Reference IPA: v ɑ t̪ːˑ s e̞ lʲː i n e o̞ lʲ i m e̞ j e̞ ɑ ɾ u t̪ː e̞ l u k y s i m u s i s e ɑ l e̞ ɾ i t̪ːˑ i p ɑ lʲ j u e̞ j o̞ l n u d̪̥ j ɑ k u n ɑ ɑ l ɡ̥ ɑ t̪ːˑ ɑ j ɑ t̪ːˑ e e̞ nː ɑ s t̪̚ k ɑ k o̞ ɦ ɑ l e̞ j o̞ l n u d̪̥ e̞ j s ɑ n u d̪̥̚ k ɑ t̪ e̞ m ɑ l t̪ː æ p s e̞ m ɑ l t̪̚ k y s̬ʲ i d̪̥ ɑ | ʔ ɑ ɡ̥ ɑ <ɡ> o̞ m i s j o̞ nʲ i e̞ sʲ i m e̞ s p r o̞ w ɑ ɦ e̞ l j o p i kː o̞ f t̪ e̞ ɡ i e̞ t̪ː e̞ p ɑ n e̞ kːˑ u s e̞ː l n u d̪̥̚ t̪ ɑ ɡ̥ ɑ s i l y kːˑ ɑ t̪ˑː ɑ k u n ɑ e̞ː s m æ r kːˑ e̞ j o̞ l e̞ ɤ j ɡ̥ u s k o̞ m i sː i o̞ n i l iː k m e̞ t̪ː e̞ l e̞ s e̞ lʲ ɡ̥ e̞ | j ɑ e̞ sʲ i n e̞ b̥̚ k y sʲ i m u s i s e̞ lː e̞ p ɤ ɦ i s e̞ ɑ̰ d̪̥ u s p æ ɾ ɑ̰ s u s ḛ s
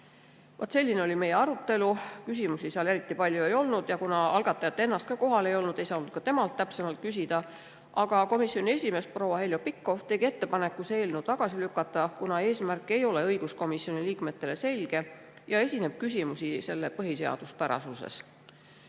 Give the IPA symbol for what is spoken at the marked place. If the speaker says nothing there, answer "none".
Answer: k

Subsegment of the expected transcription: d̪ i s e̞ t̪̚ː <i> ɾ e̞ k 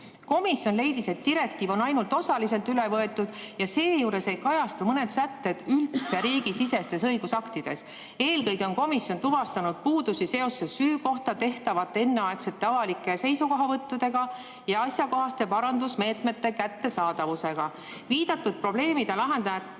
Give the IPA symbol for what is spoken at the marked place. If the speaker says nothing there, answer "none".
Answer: i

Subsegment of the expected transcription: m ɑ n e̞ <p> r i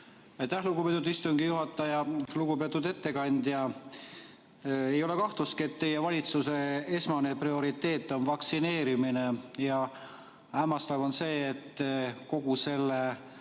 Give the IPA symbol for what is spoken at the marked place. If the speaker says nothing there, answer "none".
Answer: p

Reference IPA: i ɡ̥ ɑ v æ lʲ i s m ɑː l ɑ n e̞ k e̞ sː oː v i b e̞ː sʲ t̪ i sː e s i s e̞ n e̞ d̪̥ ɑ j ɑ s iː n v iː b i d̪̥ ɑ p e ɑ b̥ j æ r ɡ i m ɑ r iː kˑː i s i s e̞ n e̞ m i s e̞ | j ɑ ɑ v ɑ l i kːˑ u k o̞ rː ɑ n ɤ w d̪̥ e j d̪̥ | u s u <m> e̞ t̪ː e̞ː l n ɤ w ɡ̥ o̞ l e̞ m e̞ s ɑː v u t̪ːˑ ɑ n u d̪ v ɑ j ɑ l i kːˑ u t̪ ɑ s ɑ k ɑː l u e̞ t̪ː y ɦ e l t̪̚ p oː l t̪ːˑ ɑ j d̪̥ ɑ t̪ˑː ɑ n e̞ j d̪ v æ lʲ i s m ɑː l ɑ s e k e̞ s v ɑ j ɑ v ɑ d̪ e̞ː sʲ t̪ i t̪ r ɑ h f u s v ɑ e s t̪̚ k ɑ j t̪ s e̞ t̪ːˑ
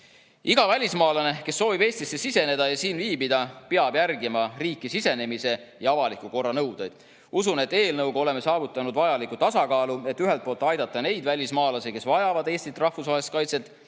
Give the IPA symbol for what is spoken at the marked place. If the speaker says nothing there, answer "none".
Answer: n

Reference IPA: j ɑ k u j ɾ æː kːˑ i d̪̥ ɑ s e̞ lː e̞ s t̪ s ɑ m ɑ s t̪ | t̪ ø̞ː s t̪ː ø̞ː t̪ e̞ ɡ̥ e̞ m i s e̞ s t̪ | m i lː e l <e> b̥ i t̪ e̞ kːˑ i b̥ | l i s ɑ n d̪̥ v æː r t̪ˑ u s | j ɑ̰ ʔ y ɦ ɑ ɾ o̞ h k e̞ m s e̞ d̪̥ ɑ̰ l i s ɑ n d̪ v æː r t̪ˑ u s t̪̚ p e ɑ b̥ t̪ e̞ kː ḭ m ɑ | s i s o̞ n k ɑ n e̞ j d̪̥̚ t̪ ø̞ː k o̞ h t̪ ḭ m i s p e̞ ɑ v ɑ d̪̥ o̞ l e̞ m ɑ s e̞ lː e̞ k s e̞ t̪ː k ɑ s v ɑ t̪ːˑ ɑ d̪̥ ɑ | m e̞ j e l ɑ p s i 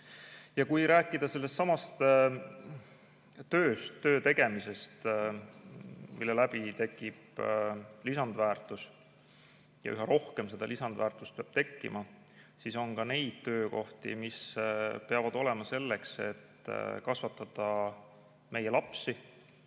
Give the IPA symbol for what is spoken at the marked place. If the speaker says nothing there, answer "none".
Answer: æ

